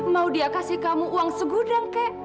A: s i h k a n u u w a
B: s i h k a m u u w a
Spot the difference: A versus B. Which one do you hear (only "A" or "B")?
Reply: B